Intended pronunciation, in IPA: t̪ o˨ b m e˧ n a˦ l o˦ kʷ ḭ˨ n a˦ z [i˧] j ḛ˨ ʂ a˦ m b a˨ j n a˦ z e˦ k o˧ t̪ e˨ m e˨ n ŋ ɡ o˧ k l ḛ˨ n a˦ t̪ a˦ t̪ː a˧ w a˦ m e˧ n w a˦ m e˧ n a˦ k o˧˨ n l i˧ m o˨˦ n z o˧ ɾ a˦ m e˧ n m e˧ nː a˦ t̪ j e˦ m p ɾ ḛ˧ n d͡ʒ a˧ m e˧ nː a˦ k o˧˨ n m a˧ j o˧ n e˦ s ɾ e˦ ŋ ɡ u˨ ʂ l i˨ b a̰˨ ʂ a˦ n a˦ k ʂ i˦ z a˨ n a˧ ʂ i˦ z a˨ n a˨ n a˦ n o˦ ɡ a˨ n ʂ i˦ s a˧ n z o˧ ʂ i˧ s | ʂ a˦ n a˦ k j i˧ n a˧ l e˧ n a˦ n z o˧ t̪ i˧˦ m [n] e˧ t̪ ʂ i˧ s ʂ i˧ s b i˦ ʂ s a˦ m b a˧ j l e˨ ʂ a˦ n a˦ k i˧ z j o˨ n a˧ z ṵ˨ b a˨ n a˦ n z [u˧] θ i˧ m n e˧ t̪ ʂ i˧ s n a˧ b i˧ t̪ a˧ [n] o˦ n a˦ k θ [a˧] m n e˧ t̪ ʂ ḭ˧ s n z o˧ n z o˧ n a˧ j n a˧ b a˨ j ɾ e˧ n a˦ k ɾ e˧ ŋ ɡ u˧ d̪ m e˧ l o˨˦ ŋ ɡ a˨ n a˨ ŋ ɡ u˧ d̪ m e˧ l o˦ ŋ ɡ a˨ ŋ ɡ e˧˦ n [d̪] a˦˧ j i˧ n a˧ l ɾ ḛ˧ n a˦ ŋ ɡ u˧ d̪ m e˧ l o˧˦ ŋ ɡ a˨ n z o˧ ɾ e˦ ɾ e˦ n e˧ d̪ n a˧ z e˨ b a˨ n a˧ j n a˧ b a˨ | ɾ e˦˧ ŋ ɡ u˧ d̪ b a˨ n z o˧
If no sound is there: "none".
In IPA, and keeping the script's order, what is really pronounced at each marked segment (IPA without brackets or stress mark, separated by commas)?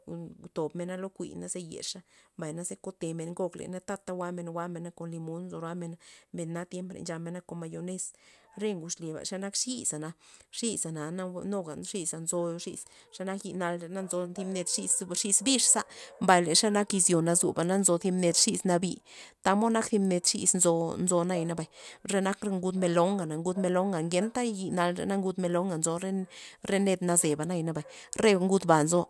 e˧, n, o˧, m, i˧, t̪